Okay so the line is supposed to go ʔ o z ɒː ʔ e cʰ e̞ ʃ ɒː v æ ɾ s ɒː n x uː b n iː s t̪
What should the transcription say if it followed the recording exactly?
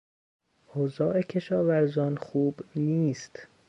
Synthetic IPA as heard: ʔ o z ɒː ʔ e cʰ e̞ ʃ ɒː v æ ɾ z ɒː n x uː b n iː s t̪